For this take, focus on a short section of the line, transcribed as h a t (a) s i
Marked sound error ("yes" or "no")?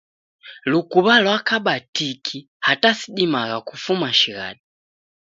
no